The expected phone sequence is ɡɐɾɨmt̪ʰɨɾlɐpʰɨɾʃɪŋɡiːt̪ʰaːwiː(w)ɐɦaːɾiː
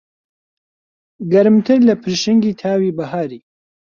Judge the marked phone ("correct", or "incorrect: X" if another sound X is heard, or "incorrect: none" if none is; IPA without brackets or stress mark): incorrect: b